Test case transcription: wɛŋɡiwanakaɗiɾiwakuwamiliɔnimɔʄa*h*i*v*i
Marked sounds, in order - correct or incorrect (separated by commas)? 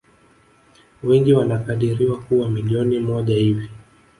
correct, correct